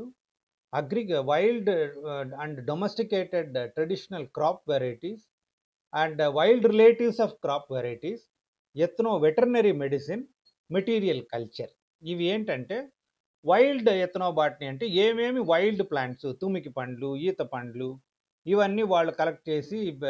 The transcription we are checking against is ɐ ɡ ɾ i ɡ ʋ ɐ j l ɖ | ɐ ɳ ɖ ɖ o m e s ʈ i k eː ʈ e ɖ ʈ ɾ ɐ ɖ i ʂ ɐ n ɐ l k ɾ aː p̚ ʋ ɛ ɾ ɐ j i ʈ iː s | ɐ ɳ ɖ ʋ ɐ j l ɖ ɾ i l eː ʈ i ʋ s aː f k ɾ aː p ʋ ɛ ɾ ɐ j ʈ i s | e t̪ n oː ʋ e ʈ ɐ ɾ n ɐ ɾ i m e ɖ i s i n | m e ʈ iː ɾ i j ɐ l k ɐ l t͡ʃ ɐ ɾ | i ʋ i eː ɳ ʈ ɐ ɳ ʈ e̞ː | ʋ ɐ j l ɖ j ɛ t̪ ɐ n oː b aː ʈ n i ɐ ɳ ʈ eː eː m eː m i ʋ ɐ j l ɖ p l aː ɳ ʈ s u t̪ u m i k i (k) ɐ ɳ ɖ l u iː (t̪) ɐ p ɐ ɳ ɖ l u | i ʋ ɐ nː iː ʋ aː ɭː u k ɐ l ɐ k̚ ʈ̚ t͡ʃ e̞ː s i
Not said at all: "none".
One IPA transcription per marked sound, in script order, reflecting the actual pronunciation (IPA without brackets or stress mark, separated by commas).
p, t̪